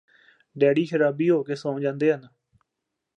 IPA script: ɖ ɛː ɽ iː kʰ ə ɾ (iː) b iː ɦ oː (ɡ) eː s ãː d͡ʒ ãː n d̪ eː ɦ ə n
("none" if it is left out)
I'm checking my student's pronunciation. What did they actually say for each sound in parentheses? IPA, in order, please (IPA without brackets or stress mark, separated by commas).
aː, k